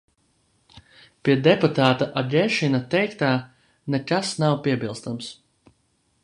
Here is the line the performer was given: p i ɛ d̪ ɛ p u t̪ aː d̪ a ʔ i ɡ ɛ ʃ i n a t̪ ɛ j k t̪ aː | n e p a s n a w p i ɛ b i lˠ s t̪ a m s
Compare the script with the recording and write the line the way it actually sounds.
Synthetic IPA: p i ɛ d̪ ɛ p u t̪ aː t̪ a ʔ a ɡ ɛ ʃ i n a t̪ ɛ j k t̪ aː | n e k a s n a w p i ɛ b i lˠ s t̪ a m s